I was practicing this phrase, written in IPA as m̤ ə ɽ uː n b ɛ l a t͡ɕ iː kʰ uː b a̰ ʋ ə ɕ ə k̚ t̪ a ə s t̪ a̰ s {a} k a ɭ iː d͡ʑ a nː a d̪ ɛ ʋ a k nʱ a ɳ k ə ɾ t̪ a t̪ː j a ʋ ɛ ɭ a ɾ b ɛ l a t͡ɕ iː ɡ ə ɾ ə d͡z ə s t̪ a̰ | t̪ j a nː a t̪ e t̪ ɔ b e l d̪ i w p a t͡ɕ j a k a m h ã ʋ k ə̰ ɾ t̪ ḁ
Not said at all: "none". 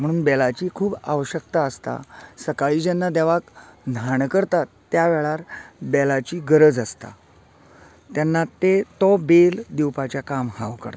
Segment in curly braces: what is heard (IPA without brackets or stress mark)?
ə